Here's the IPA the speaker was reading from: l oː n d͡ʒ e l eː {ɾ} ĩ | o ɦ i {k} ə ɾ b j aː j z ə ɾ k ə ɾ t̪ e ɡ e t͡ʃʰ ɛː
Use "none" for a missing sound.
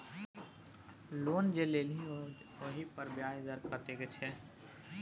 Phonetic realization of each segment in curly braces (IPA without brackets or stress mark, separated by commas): l, p